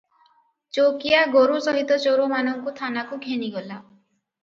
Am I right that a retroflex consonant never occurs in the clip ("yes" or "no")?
yes